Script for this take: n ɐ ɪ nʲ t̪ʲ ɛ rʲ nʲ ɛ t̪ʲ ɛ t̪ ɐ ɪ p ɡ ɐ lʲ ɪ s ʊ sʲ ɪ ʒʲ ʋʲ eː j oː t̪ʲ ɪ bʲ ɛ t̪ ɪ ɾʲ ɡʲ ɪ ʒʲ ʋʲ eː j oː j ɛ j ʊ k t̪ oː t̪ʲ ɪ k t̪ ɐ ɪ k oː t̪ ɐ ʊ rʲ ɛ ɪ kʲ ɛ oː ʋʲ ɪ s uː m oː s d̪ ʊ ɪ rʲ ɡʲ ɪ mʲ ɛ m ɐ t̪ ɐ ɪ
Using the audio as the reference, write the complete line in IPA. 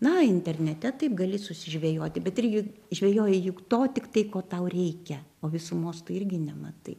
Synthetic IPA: n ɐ ɪ nʲ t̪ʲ ɛ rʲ nʲ ɛ t̪ʲ ɛ t̪ ɐ ɪ p ɡ ɐ lʲ ɪ s ʊ sʲ ɪ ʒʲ ʋʲ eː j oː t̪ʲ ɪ bʲ ɛ t̪ ɪ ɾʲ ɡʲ ɪ ʒʲ ʋʲ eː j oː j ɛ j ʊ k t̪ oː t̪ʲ ɪ k t̪ ɐ ɪ k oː t̪ ɐ ʊ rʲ ɛ ɪ kʲ ɛ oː ʋʲ ɪ s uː m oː s t̪ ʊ ɪ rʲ ɡʲ ɪ nʲ ɛ m ɐ t̪ ɐ ɪ